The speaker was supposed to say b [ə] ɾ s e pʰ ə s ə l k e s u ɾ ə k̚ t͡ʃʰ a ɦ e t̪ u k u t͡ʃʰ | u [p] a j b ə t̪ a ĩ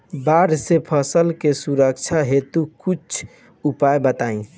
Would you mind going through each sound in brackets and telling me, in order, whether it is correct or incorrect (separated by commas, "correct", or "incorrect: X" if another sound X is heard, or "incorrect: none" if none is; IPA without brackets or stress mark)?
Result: incorrect: a, correct